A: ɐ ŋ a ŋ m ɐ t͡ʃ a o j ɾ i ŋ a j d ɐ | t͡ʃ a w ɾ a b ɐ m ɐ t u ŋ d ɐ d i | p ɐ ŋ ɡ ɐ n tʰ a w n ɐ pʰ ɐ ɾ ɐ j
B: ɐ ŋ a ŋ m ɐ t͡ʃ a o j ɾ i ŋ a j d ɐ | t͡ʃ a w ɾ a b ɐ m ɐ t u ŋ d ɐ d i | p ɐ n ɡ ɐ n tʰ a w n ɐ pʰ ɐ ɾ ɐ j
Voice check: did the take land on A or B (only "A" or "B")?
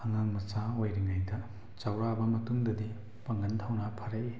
A